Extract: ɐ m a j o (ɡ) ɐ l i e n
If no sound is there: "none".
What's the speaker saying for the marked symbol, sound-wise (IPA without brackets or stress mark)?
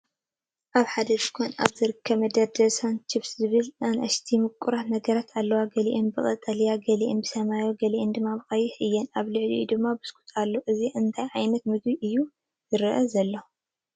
ɡ